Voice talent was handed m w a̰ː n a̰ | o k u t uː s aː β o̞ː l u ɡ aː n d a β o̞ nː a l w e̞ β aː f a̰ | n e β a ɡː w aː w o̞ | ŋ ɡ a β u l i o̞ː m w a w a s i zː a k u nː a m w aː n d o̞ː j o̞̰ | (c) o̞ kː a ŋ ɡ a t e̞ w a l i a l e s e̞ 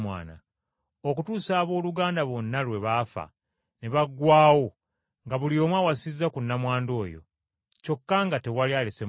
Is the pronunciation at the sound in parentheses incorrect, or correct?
correct